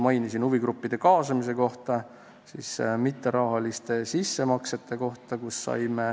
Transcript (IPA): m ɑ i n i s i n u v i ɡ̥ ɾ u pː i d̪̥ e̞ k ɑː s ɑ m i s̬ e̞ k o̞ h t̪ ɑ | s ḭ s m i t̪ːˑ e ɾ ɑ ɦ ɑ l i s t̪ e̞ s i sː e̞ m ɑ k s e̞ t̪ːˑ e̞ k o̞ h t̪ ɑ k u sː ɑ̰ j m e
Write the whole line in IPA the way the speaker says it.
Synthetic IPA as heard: m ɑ j n i s i n u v i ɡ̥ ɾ u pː i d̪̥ e̞ k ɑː s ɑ m i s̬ e̞ k o̞ h t̪ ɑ | s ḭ s m i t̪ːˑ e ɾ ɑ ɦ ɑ l i s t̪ e̞ s i sː e̞ m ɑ k s e̞ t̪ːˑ e̞ k o̞ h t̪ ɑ k u sː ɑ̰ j m e